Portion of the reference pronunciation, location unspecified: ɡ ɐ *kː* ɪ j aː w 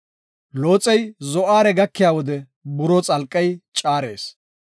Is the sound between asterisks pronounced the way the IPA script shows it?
yes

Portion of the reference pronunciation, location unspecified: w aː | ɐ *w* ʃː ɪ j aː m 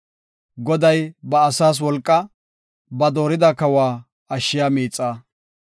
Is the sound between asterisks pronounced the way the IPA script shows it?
no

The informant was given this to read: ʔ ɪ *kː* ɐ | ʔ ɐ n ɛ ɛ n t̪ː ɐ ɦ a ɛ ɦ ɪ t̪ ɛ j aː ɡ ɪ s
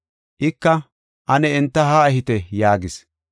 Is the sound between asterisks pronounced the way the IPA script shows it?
yes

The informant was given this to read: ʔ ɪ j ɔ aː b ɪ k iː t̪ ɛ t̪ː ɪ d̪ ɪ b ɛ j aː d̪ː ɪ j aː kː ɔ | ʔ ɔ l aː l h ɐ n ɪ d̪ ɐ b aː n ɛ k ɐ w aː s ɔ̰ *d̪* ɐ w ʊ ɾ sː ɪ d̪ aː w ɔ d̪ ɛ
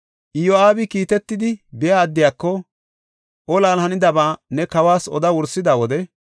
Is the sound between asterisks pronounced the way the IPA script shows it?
yes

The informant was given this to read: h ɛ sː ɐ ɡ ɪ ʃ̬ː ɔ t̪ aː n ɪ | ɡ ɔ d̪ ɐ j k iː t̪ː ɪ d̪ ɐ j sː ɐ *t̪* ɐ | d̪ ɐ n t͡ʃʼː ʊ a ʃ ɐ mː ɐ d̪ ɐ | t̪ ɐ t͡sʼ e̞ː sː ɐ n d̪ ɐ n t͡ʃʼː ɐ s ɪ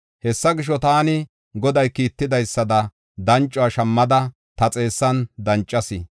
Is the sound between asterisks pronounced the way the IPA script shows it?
no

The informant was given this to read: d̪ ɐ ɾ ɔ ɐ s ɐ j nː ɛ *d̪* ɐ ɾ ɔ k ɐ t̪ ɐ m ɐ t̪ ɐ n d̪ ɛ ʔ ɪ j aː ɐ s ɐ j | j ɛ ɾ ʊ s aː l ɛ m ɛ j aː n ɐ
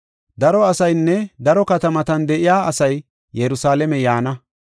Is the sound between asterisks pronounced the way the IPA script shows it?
yes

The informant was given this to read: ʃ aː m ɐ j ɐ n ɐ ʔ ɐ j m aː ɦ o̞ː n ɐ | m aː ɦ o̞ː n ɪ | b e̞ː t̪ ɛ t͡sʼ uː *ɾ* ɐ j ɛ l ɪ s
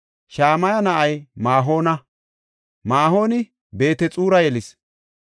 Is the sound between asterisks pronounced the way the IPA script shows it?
yes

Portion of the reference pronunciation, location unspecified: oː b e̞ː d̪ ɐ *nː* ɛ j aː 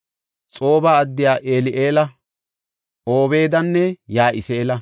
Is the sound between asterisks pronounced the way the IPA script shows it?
yes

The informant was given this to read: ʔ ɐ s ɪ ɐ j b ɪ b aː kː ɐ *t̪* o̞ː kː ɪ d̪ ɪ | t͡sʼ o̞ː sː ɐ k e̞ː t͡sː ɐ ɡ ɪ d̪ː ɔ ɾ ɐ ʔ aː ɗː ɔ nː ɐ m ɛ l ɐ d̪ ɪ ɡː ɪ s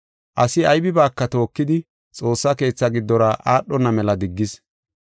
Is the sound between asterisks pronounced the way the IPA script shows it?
yes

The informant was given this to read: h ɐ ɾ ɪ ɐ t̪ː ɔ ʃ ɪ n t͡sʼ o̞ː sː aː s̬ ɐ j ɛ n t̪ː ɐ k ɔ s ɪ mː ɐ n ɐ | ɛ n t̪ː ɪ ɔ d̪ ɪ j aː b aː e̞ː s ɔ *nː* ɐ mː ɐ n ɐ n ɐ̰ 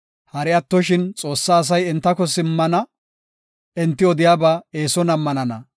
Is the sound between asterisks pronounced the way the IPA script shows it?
no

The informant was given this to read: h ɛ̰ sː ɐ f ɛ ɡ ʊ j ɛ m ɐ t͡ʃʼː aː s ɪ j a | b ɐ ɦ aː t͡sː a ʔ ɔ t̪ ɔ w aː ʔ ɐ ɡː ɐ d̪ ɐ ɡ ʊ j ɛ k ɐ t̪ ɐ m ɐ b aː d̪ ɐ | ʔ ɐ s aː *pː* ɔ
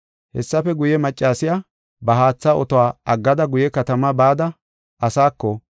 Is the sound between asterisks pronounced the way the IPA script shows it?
no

